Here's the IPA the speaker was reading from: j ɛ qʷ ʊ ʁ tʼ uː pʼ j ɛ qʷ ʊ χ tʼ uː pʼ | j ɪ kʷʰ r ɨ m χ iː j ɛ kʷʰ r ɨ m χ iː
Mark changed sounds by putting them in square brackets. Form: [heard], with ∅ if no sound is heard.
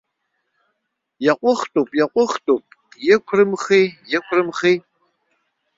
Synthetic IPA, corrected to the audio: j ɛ qʷ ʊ [χ] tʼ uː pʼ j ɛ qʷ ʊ χ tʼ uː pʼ | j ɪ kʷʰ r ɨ m χ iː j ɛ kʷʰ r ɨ m χ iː